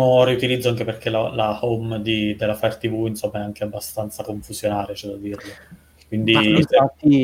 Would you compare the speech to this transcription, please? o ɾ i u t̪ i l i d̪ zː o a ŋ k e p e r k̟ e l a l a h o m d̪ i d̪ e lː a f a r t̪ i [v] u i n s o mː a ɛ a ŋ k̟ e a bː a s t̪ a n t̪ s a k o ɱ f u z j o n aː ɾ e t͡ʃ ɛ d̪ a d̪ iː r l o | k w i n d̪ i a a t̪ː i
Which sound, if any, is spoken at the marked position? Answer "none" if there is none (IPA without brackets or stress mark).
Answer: v